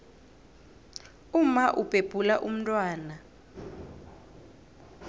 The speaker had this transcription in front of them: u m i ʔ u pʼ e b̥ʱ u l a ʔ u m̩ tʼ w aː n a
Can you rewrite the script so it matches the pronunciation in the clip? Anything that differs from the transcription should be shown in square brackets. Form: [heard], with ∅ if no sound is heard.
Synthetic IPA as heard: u m [a] ʔ u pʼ e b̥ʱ u l a ʔ u m̩ tʼ w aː n a